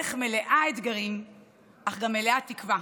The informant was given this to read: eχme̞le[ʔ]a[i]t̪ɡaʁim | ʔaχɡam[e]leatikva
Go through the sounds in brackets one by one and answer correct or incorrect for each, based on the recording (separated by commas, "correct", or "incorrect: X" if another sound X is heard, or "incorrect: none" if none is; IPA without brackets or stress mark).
correct, incorrect: e, correct